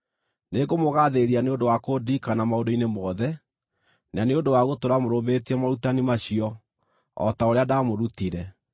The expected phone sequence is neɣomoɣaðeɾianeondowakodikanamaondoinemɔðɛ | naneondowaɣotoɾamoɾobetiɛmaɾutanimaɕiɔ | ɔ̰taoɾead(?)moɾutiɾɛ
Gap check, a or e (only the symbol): a